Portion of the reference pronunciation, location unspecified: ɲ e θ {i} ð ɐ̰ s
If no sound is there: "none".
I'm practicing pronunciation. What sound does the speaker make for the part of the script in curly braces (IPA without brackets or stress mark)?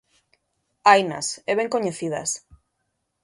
i